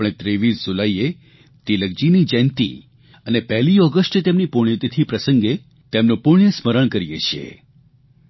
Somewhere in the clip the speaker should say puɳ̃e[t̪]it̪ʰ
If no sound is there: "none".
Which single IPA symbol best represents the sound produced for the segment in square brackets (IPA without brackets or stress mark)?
t̪